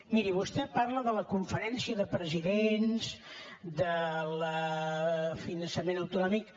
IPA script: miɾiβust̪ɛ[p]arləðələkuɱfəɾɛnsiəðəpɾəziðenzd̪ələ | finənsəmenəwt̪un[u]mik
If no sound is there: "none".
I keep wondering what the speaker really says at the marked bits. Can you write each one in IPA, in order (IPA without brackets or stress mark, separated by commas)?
p, ɔ